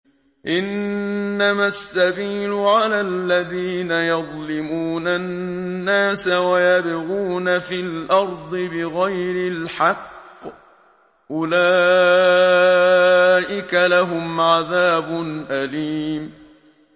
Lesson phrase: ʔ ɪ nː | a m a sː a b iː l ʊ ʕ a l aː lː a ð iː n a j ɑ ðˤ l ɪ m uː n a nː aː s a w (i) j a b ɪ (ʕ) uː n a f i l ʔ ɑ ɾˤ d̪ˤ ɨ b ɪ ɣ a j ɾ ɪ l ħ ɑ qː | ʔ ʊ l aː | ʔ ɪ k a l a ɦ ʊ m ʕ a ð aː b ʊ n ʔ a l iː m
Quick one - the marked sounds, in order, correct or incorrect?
incorrect: a, incorrect: ɣ

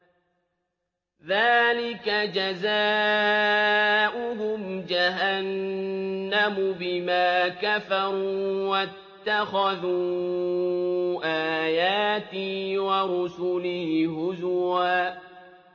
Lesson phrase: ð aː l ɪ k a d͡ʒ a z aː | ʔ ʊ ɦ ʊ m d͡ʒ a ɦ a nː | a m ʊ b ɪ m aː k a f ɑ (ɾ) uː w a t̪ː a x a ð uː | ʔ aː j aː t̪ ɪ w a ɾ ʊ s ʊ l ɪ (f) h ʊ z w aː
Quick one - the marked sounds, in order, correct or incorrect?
correct, incorrect: h

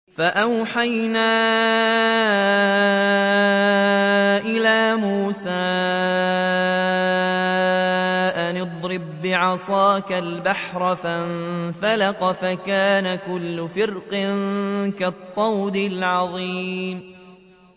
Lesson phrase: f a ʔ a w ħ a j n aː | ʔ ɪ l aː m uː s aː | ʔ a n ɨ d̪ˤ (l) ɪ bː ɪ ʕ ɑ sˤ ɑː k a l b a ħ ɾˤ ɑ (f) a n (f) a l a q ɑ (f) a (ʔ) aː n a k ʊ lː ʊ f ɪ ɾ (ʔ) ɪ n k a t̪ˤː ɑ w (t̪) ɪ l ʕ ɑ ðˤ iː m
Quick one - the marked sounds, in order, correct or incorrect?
incorrect: ɾ, correct, correct, correct, incorrect: k, incorrect: q, incorrect: d̪

